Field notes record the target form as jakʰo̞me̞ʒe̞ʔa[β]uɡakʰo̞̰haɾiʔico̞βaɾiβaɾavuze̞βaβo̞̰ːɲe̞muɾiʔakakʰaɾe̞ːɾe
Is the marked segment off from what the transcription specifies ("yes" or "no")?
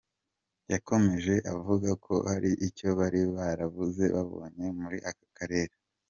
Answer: yes